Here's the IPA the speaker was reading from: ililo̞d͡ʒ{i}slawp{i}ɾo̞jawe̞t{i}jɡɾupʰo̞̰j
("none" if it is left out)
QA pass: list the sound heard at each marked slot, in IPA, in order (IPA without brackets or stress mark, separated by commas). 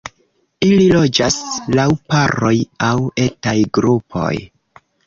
a, a, a